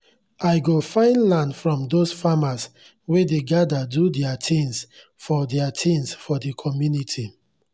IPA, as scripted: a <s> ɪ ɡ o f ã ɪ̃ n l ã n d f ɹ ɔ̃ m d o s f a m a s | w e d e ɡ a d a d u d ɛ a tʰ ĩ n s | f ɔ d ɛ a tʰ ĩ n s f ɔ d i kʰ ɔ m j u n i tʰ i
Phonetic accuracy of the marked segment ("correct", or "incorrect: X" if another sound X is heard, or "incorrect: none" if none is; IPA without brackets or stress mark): incorrect: none